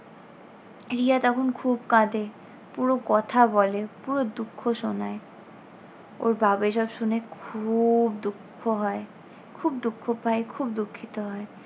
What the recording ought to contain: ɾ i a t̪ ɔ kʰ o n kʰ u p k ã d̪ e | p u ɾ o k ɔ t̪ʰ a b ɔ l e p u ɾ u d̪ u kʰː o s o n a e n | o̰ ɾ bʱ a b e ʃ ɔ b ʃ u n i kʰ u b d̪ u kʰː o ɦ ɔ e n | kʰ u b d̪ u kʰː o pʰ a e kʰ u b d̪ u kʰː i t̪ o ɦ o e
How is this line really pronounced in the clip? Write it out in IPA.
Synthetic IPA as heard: ɾ i a t̪ ɔ kʰ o n kʰ u b k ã d̪ e | p u ɾ o k ɔ t̪ʰ a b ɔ l e p u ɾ o d̪ u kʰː o ʃ o n a e | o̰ ɾ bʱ a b e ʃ ɔ b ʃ u n e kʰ u b d̪ u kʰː o ɦ ɔ e | kʰ u b d̪ u kʰː o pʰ a e kʰ u b d̪ u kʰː i t̪ o ɦ ɔ e